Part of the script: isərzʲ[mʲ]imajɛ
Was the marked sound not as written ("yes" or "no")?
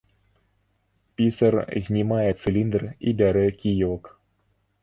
yes